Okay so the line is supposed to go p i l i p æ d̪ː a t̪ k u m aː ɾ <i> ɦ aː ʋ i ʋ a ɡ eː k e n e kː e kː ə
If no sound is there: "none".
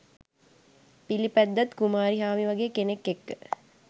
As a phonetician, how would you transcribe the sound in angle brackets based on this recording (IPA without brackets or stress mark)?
i